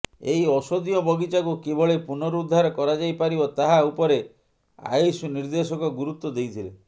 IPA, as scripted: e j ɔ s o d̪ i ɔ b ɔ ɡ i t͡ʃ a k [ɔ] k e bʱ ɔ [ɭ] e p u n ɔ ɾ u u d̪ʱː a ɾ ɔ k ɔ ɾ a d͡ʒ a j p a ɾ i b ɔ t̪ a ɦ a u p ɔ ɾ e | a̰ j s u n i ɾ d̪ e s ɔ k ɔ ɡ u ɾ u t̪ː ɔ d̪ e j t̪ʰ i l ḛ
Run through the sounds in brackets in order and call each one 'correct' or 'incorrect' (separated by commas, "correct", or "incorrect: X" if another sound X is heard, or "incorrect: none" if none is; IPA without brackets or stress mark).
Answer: incorrect: u, correct